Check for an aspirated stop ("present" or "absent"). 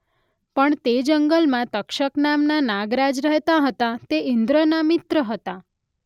absent